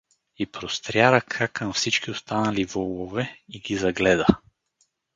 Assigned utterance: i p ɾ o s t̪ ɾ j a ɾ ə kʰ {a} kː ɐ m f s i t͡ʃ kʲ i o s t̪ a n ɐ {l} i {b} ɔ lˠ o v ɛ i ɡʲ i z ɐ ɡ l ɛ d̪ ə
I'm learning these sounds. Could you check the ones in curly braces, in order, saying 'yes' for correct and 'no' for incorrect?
yes, yes, no

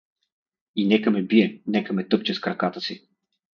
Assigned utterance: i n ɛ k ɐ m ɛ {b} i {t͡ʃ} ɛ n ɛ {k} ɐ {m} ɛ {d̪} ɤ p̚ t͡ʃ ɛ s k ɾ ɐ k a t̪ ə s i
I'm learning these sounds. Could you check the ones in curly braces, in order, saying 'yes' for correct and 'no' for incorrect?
yes, no, yes, yes, no

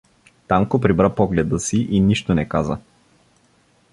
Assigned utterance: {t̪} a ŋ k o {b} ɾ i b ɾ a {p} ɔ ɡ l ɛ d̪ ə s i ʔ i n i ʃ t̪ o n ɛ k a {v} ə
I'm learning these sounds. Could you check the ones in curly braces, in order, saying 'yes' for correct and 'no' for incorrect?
yes, no, yes, no

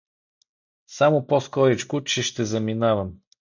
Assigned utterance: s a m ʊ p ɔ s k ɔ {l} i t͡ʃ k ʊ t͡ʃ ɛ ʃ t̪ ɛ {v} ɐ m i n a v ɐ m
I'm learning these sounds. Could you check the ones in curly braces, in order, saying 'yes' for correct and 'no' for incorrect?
no, no

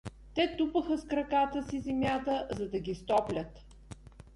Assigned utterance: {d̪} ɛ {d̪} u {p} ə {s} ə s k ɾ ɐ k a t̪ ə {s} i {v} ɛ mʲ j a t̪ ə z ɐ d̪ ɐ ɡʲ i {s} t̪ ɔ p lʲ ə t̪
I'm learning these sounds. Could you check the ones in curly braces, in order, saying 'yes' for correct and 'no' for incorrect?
no, no, yes, no, yes, no, yes

